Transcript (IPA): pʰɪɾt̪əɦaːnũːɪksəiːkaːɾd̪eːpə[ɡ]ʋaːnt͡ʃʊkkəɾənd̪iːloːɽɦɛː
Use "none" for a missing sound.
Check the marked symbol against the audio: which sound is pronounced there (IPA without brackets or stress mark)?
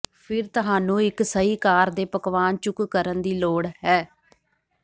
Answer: k